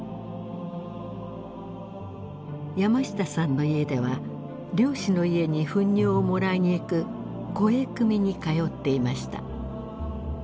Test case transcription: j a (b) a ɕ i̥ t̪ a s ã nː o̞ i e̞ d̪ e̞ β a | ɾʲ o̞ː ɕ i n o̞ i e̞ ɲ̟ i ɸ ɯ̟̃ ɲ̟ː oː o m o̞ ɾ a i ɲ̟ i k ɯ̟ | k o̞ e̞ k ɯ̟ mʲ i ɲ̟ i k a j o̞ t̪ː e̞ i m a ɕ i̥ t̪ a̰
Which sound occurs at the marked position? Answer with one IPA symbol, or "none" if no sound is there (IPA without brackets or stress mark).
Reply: m